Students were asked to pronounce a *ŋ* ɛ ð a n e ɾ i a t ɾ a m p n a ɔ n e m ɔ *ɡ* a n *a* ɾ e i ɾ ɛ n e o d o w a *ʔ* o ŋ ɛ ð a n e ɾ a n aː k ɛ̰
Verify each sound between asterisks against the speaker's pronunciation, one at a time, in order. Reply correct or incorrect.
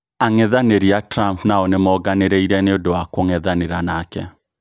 correct, correct, incorrect: e, incorrect: k

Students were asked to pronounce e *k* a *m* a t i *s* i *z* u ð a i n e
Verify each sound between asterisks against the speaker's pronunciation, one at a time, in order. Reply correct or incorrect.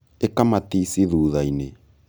correct, correct, correct, incorrect: ð

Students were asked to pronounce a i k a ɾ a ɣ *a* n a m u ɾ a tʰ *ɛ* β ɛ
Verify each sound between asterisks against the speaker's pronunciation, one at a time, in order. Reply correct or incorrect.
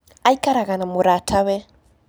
correct, incorrect: a

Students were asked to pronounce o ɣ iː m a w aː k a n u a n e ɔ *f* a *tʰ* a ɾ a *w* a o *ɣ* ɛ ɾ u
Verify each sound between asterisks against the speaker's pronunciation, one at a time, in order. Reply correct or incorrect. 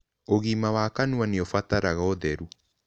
correct, incorrect: t, incorrect: ɣ, incorrect: ð

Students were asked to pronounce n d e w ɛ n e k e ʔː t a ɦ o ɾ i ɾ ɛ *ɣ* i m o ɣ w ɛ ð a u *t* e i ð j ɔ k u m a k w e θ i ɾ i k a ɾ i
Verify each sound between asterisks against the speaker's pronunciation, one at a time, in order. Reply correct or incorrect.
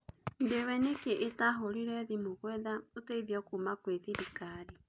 incorrect: ð, correct

